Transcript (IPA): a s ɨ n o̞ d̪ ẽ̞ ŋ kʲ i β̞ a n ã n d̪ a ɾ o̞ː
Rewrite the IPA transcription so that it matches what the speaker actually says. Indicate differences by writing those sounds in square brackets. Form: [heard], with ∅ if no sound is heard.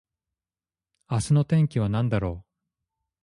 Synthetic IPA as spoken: a s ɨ n o̞ [t̪] ẽ̞ ŋ kʲ i β̞ a n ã n d̪ a ɾ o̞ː